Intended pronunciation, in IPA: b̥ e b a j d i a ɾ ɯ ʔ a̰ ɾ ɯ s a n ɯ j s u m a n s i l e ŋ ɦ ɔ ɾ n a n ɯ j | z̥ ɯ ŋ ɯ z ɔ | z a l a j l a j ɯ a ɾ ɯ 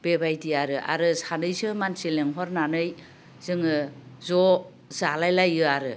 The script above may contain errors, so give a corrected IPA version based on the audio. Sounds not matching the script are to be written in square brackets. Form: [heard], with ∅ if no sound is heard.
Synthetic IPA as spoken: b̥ e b a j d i a ɾ ɯ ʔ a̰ ɾ ɯ s a n ɯ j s [ɯ] m a n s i l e ŋ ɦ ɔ ɾ n a n ɯ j | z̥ ɯ ŋ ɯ z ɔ | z a l a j l a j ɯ a ɾ ɯ